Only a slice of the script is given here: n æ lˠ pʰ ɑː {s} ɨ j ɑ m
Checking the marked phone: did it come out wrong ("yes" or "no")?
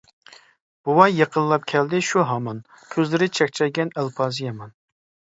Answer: yes